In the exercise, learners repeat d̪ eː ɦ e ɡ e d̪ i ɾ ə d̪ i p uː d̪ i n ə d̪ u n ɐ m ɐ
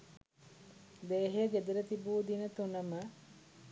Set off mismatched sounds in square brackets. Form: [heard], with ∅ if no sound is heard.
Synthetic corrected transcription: d̪ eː ɦ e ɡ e d̪ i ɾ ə [t̪] i [b] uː d̪ i n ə [t̪] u n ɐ m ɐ